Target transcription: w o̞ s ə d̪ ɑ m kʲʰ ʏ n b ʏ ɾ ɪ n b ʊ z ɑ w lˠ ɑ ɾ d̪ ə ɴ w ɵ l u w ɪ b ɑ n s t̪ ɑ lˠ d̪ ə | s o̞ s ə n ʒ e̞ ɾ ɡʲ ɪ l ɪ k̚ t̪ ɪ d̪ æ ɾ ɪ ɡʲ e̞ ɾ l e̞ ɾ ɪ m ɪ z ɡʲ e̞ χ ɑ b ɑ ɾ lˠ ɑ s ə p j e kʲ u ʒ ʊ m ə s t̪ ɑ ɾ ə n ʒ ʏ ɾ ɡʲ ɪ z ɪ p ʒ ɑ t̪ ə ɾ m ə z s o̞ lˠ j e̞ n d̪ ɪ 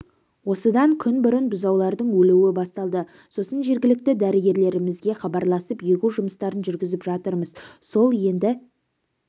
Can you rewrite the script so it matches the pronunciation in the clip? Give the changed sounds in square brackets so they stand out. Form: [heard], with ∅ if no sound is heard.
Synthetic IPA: w o̞ s ə d̪ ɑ [ŋ] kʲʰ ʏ n b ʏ ɾ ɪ n b ʊ z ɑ w lˠ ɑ ɾ d̪ ə ɴ w ɵ l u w ɪ b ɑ [∅] s t̪ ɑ lˠ d̪ ə | s o̞ s ə n ʒ e̞ ɾ ɡʲ ɪ l ɪ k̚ t̪ ɪ d̪ æ ɾ ɪ ɡʲ e̞ ɾ l e̞ ɾ ɪ m ɪ z ɡʲ e̞ χ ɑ b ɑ ɾ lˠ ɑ s ə p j e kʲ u ʒ ʊ m ə s t̪ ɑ ɾ ə n ʒ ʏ ɾ ɡʲ ɪ z ɪ p ʒ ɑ t̪ ə ɾ m ə z s o̞ lˠ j e̞ n d̪ ɪ